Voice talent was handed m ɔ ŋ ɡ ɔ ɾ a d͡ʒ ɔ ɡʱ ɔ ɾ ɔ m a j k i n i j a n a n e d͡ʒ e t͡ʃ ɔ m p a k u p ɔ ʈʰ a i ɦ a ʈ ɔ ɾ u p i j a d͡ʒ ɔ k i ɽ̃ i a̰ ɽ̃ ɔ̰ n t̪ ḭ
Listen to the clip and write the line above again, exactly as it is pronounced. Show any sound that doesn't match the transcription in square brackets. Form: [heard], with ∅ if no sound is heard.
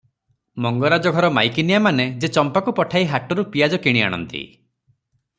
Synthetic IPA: m ɔ ŋ ɡ ɔ ɾ a d͡ʒ ɔ ɡʱ ɔ ɾ ɔ m a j k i n i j a [m] a n e d͡ʒ e t͡ʃ ɔ m p a k u p ɔ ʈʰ a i ɦ a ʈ ɔ ɾ u p i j a d͡ʒ ɔ k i ɽ̃ i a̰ ɽ̃ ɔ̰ n t̪ ḭ